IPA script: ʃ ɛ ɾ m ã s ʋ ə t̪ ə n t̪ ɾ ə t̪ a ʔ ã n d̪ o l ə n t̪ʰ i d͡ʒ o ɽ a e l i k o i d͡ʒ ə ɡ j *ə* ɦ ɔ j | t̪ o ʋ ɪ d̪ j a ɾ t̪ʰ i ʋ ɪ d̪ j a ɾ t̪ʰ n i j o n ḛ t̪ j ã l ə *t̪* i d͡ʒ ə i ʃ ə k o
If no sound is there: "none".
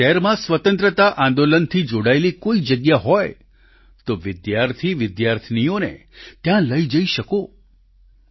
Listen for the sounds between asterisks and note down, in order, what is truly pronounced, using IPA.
a, none

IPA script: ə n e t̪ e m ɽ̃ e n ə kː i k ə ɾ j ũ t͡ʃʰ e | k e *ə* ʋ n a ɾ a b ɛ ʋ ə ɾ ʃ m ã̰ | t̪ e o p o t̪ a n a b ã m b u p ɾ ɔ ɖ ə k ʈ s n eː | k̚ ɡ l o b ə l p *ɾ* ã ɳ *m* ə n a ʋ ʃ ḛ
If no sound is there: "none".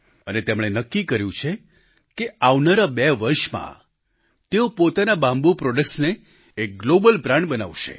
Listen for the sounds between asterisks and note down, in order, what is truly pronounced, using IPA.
a, ɾ, b

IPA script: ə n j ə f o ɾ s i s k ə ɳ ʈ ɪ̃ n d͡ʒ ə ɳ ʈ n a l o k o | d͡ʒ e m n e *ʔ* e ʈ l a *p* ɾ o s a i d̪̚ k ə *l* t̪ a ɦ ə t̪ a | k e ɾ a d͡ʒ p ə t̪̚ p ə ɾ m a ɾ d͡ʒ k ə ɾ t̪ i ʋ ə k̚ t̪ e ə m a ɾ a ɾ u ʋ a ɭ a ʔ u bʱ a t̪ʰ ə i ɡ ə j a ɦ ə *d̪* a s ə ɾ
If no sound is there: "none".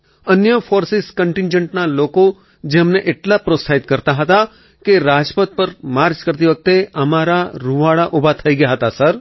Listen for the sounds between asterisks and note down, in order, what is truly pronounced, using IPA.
ʔ, p, ɾ, t̪

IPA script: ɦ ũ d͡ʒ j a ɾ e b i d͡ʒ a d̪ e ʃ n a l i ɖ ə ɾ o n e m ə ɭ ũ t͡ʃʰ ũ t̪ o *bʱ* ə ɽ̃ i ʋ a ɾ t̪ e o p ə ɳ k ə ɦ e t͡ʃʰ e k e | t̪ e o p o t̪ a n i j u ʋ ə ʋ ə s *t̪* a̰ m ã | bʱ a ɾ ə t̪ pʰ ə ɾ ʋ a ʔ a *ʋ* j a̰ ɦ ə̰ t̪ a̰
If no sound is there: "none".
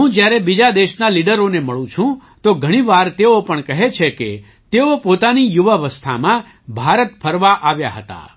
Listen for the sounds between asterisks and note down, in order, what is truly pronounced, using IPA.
ɡʱ, t̪ʰ, ʋ

